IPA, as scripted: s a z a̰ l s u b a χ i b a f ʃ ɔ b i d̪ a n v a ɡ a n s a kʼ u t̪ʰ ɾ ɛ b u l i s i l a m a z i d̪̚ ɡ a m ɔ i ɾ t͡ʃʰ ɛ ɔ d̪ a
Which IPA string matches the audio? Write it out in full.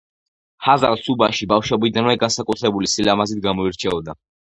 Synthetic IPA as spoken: h a z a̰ l s u b a ʃ i b a f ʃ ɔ b i d̪ a n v ɛ ɡ a n s a kʼ u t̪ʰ ɾ ɛ b u l i s i l a m a z i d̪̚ ɡ a m ɔ i ɾ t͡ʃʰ ɛ ɔ d̪ a